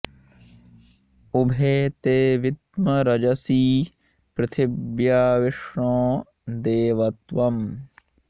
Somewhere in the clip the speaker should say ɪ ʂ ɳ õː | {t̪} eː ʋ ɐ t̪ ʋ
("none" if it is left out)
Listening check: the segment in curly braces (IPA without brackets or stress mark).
d̪